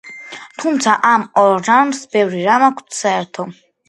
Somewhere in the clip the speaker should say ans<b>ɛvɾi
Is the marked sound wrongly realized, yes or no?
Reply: no